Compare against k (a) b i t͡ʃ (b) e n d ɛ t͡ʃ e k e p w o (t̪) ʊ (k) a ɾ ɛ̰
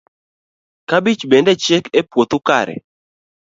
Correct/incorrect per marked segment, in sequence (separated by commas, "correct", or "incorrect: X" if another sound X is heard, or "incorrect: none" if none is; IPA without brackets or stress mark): correct, correct, correct, correct